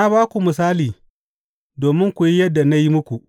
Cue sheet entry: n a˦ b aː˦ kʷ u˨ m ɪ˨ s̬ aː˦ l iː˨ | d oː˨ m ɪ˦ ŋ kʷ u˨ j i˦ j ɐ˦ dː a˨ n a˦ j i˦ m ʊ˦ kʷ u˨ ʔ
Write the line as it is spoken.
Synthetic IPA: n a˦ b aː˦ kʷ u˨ m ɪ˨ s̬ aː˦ l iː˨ | d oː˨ m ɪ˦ ŋ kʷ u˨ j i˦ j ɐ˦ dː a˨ n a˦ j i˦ m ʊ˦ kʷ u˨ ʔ

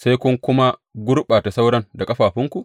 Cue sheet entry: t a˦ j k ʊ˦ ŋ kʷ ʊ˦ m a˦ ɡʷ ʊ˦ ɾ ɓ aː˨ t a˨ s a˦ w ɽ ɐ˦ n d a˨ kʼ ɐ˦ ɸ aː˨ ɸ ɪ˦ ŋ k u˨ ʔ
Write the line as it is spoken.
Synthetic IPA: s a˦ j k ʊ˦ ŋ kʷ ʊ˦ m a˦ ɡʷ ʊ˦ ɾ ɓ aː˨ t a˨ s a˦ w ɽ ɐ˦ n d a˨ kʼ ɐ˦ ɸ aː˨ ɸ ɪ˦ ŋ k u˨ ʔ

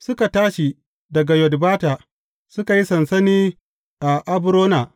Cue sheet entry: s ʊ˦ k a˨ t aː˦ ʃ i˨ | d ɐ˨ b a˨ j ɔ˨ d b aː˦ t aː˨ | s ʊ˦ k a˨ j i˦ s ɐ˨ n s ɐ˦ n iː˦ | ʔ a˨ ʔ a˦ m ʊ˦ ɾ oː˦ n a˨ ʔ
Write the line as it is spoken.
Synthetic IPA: s ʊ˦ k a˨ t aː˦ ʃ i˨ | d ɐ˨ ɡ a˨ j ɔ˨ d b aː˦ t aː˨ | s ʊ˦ k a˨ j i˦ s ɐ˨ n s ɐ˦ n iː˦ | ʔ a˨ ʔ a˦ b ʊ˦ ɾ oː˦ n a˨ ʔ

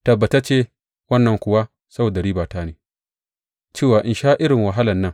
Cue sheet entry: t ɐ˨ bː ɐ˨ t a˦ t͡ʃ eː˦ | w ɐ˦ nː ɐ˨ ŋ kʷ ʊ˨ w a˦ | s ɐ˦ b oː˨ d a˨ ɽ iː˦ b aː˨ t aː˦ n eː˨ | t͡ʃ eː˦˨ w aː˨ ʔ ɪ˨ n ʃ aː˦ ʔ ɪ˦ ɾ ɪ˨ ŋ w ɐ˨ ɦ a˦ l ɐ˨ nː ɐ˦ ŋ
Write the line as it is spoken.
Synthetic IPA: t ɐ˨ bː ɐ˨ t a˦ t͡ʃ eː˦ | w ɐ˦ nː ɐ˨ ŋ kʷ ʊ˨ w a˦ | s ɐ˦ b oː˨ d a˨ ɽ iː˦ b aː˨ t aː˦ n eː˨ | t͡ʃ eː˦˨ w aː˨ ʔ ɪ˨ n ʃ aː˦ ʔ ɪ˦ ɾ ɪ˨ ŋ w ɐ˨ ɦ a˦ l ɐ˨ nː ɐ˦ ŋ

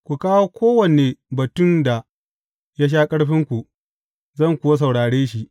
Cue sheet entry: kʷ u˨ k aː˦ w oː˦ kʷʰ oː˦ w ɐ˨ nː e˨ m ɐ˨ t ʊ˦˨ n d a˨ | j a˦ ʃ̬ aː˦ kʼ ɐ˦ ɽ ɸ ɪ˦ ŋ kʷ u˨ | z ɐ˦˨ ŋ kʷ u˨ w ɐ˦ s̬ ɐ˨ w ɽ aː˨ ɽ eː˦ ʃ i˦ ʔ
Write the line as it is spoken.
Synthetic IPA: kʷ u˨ k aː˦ w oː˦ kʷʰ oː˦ w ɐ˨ n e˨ b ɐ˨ t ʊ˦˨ n d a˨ | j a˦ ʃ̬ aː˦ kʼ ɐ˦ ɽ ɸ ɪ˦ ŋ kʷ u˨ | z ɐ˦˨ ŋ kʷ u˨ w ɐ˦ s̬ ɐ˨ w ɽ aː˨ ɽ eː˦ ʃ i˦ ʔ

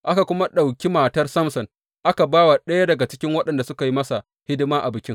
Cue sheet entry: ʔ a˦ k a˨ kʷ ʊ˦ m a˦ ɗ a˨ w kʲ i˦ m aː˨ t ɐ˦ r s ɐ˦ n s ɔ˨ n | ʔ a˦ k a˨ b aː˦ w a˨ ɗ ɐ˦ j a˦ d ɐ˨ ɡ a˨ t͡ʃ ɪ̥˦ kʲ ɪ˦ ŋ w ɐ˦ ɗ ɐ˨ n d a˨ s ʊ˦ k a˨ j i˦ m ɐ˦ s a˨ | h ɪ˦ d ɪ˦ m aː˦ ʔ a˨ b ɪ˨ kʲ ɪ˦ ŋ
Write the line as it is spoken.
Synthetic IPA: ʔ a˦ k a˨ kʷ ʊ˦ m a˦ ɗ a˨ w kʲ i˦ m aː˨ t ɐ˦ r s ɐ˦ m s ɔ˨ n | ʔ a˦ k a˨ b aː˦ w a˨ ɗ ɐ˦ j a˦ d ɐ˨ ɡ a˨ t͡ʃ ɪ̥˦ kʲ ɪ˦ ŋ w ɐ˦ ɗ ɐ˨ n d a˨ s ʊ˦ k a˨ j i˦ m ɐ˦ s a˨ | h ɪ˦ d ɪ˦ m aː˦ ʔ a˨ b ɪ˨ kʲ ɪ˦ ŋ

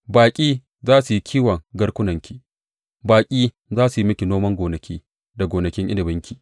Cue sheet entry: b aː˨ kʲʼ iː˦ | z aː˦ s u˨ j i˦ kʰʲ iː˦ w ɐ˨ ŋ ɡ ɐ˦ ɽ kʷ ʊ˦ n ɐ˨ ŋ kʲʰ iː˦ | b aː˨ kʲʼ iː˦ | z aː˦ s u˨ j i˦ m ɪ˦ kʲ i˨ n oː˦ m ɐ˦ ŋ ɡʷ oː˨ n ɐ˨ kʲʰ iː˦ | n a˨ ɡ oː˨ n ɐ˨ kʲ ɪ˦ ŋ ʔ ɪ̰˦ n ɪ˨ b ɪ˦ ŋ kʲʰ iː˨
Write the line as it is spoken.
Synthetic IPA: b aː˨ kʲʼ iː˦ | z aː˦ s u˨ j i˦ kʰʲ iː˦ w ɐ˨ ŋ ɡ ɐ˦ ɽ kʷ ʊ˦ n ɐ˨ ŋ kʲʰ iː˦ | b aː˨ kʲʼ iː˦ | z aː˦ s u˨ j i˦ m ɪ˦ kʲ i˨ n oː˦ m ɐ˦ ŋ ɡʷ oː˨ n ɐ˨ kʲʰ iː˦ | d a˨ ɡ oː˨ n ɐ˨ kʲ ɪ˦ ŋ ʔ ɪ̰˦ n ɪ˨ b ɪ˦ ŋ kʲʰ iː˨

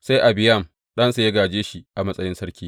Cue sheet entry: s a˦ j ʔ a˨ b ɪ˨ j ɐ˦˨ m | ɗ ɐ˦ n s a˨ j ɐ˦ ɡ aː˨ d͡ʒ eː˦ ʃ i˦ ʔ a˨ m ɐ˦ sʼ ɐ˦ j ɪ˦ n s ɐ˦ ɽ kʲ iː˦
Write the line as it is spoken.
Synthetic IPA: s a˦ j ʔ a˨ b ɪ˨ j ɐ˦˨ m | ɗ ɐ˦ n s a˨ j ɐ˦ ɡ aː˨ d͡ʒ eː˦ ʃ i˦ ʔ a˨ m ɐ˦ sʼ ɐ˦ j ɪ˦ n s ɐ˦ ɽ kʲ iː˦

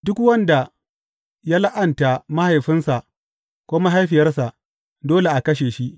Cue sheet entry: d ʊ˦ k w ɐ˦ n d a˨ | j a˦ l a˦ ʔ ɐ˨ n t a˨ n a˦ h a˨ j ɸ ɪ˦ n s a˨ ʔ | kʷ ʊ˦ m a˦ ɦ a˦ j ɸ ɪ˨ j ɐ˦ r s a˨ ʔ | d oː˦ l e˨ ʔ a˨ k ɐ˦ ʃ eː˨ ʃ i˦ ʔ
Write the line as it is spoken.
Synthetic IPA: d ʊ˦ k w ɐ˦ n d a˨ | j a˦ l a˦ ʔ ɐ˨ n t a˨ m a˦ h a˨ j ɸ ɪ˦ n s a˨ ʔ | kʷ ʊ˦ m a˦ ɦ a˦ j ɸ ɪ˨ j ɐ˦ r s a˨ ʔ | d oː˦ l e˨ ʔ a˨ k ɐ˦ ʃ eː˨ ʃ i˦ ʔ

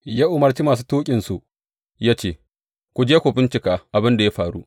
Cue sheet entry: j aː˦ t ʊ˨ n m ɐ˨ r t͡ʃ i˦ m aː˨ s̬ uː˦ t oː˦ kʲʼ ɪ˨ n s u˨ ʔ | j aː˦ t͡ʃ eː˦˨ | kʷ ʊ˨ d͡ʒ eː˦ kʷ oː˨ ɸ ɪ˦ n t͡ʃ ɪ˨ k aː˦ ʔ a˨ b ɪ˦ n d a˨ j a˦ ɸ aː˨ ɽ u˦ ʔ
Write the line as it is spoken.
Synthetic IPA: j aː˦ ʔ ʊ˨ m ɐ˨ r t͡ʃ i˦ m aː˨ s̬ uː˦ t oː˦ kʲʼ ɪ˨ n s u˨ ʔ | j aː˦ t͡ʃ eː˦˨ | kʷ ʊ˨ d͡ʒ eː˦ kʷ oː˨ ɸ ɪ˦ n t͡ʃ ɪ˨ k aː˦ ʔ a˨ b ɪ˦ n d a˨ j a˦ ɸ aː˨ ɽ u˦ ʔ

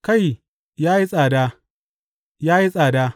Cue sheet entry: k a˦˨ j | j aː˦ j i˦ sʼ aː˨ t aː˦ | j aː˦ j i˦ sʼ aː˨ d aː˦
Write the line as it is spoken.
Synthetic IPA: k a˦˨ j | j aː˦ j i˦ sʼ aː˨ d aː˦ | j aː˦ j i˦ sʼ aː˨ d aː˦

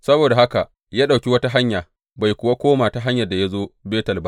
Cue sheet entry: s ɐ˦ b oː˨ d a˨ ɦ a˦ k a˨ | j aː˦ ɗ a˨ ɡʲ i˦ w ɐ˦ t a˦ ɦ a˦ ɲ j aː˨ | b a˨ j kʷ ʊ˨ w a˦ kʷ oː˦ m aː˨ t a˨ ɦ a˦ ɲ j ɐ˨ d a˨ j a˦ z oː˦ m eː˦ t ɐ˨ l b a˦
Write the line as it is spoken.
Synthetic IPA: s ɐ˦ b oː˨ d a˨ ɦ a˦ k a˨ | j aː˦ ɗ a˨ kʲ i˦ w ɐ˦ t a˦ ɦ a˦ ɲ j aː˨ | b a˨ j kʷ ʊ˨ w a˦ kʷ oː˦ m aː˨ t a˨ ɦ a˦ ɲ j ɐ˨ d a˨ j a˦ z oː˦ b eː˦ t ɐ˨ l b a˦

